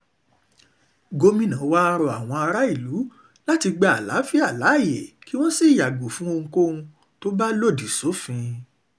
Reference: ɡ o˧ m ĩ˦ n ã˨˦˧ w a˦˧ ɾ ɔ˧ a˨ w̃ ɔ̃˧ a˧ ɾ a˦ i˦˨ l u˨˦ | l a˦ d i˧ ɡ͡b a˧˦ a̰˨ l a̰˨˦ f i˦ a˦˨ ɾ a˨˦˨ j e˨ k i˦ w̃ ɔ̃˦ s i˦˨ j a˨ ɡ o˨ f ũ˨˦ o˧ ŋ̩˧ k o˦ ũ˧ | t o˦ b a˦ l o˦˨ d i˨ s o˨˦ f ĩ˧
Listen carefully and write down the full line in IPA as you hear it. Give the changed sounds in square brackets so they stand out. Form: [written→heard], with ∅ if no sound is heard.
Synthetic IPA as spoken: ɡ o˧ m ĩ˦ n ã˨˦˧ w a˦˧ ɾ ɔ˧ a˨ w̃ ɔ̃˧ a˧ ɾ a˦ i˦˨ l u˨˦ | l a˦ [d→t] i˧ ɡ͡b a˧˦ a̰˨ l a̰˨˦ f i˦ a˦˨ [ɾ→l] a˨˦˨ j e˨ k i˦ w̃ ɔ̃˦ s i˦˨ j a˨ ɡ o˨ f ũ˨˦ o˧ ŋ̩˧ k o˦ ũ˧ | t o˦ b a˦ l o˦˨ d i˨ s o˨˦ f ĩ˧

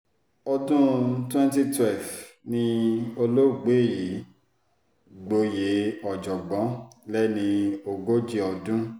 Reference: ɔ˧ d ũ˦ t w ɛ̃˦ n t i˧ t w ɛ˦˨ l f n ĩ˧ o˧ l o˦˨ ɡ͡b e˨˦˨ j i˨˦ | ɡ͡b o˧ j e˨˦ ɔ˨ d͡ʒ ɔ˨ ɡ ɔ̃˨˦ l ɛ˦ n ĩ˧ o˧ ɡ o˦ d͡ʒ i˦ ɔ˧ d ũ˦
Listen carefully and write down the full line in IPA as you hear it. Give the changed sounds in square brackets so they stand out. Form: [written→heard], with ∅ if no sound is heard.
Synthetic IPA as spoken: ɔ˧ d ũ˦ t w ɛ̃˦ n t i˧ t w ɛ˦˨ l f n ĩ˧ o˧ l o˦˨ ɡ͡b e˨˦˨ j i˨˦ | ɡ͡b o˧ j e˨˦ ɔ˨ d͡ʒ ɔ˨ [ɡ→ɡ͡b] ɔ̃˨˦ l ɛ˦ n ĩ˧ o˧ ɡ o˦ d͡ʒ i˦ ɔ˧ d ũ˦

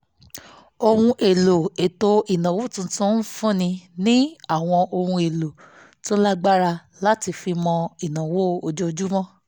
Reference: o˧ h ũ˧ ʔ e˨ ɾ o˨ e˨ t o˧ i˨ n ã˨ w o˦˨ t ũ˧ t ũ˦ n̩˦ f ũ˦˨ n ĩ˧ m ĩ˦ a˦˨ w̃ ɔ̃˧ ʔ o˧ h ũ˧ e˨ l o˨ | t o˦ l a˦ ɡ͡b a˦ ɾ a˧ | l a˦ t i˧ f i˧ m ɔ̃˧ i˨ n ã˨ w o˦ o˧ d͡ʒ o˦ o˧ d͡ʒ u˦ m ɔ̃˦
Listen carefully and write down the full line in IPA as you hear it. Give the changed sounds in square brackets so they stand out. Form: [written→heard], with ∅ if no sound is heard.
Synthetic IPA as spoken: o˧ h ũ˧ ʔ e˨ [ɾ→l] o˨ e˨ t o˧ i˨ n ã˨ w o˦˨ t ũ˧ t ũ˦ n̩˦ f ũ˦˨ n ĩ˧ [m→n] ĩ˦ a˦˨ w̃ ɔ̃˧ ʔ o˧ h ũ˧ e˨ l o˨ | t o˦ l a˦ ɡ͡b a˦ ɾ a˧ | l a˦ t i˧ f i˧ m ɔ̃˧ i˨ n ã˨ w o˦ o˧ d͡ʒ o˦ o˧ d͡ʒ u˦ m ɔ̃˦

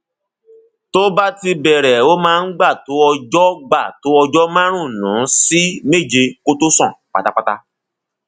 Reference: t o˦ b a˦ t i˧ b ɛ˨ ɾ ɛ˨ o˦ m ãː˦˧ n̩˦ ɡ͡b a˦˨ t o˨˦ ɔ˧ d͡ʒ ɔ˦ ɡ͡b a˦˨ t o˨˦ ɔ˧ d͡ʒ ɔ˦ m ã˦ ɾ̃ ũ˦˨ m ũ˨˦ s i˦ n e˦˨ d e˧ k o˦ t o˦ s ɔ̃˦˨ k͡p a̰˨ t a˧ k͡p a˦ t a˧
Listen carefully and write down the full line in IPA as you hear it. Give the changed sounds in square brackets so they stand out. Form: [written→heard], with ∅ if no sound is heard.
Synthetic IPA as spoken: t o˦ b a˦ t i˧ b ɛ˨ ɾ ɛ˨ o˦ m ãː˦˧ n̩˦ ɡ͡b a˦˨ t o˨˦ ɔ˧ d͡ʒ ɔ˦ ɡ͡b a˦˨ t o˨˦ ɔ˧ d͡ʒ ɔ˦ m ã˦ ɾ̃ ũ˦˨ [m→n] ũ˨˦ s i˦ [n→m] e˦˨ [d→d͡ʒ] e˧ k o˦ t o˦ s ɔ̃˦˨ k͡p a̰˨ t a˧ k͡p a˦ t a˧

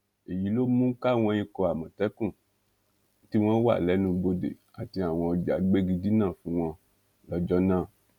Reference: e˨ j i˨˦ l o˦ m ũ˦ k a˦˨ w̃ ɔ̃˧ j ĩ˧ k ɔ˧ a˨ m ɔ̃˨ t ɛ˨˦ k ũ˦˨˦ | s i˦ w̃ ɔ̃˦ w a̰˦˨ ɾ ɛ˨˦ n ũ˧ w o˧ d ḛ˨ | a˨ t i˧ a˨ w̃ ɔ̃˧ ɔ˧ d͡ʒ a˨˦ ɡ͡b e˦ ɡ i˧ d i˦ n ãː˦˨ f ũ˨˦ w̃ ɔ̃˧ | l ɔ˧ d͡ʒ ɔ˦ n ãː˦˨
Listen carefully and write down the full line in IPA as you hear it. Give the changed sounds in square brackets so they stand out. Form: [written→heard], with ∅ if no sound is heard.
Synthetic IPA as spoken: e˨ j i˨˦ l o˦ m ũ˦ k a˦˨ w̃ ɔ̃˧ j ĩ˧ k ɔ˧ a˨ m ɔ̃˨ t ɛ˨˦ k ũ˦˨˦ | [s→t] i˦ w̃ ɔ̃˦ w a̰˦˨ [ɾ→l] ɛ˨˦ n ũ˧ [w→b] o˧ d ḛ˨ | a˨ t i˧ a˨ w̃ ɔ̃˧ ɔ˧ d͡ʒ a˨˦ ɡ͡b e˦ ɡ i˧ d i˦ n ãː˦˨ f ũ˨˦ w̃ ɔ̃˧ | l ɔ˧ d͡ʒ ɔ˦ n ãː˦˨

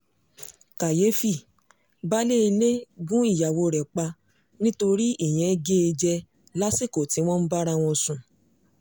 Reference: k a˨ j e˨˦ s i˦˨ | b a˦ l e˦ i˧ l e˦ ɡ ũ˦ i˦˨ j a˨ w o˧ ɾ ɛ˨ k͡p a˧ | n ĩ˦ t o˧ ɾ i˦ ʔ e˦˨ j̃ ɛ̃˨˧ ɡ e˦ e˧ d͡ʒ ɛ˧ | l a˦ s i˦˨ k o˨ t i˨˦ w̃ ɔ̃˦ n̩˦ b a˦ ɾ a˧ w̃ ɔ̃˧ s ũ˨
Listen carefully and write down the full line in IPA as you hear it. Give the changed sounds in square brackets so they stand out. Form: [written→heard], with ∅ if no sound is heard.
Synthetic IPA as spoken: k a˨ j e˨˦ [s→f] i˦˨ | b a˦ l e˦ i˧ l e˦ ɡ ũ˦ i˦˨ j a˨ w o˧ ɾ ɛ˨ k͡p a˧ | n ĩ˦ t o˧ ɾ i˦ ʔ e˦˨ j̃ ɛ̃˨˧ ɡ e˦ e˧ d͡ʒ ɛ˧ | l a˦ s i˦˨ k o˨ t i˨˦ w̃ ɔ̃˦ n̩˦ b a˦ ɾ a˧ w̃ ɔ̃˧ s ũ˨

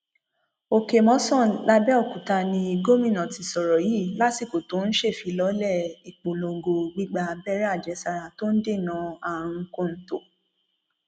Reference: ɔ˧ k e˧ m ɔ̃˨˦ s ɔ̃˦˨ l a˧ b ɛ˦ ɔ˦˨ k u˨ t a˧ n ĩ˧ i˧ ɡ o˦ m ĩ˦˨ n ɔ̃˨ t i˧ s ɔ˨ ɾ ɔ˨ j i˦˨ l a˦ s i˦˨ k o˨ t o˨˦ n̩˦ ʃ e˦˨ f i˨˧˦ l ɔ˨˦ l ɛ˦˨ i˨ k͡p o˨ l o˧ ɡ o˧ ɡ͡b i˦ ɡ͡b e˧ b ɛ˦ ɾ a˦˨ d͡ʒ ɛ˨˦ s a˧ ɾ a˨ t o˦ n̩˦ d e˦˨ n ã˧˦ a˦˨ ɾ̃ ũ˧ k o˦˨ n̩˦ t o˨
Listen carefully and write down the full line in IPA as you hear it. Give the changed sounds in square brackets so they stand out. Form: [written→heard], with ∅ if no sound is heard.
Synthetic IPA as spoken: [ɔ˧→o˧] k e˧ m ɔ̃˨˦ s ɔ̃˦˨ l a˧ b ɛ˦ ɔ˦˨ k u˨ t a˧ n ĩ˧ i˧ ɡ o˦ m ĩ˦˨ n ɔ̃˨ t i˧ s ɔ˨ ɾ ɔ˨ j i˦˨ l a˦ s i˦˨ k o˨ t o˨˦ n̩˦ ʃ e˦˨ f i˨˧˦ l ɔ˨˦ l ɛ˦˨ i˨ k͡p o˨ l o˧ ɡ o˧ ɡ͡b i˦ ɡ͡b [e˧→a˧] b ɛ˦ ɾ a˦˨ d͡ʒ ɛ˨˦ s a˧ ɾ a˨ t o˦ n̩˦ d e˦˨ n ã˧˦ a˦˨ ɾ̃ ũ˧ k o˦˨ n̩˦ t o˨

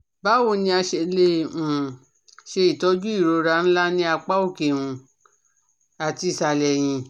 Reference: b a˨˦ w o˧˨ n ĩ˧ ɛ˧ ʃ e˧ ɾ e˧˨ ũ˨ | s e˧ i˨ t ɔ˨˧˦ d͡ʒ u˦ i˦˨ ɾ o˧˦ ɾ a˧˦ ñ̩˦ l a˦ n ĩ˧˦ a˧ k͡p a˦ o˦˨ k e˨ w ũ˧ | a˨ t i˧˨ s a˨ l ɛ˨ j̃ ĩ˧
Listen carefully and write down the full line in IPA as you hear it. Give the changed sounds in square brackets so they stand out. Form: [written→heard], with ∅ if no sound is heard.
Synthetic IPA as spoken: b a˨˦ w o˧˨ n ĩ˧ [ɛ˧→a˧] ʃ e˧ [ɾ→l] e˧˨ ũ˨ | [s→ʃ] e˧ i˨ t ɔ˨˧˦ d͡ʒ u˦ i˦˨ ɾ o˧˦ ɾ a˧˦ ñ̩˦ l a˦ n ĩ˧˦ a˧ k͡p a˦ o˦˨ k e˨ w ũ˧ | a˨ t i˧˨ s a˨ l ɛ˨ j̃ ĩ˧

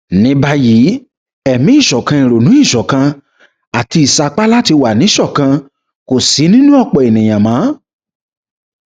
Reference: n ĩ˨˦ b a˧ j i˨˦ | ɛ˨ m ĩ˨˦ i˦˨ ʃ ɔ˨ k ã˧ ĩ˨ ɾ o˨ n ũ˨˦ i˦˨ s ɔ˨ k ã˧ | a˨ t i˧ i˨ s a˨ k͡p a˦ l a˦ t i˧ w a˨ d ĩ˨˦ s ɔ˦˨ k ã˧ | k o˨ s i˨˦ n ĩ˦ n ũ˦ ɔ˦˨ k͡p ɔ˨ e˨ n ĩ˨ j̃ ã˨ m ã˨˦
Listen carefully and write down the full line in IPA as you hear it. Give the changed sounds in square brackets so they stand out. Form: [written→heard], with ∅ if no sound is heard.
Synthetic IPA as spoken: n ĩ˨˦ b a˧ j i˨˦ | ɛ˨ m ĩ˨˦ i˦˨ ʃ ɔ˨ k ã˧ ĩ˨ ɾ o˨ n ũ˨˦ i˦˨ [s→ʃ] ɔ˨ k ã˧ | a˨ t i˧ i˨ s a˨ k͡p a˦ l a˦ t i˧ w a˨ [d→n] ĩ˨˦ [s→ʃ] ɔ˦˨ k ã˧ | k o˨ s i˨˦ n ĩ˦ n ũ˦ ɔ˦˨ k͡p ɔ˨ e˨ n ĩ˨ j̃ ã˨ m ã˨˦

